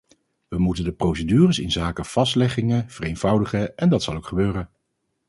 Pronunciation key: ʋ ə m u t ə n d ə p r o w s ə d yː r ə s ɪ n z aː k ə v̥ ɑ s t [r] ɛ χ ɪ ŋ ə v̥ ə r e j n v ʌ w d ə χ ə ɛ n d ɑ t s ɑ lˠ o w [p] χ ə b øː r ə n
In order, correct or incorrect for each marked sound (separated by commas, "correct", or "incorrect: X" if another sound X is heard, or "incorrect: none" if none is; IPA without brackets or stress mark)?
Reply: incorrect: l, incorrect: k